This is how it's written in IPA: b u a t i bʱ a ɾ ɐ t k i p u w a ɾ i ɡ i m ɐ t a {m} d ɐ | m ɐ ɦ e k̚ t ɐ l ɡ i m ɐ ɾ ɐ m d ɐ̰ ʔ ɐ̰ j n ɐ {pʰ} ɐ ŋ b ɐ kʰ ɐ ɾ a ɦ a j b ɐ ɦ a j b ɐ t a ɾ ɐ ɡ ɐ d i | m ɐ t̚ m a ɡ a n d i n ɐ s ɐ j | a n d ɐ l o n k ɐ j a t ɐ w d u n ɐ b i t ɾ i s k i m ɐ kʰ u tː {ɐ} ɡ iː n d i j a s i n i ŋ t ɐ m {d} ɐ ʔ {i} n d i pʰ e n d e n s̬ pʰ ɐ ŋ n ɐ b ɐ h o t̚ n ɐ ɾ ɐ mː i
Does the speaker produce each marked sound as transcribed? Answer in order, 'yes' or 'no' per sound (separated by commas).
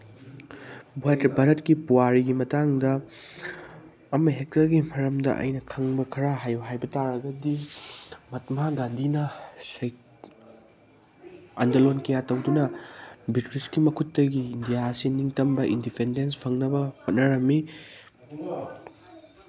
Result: no, no, yes, no, yes